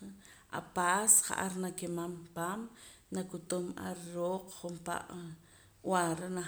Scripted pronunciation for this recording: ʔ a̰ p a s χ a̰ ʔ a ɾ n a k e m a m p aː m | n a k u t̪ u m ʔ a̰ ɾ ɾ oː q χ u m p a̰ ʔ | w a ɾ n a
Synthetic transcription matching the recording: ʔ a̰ p a s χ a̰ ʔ a ɾ n a k e m a m p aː m | n a k u t̪ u m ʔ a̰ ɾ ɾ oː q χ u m p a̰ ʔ | w a ɾ n a

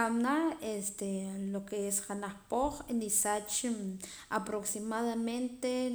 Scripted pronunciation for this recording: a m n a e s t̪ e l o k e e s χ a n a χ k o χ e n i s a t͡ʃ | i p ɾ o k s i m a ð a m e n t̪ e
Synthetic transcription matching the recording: a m n a e s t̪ e l o k e e s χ a n a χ p o χ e n i s a t͡ʃ | a p ɾ o k s i m a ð a m e n t̪ e

